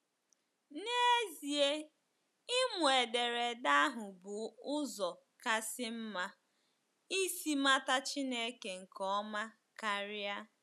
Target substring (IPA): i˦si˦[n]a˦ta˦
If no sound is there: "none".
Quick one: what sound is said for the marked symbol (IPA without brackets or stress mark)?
m